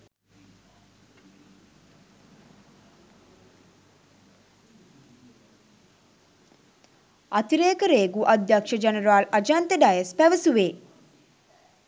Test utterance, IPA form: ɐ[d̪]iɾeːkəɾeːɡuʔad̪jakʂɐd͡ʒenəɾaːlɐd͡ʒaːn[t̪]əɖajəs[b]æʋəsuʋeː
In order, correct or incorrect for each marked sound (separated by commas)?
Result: incorrect, correct, incorrect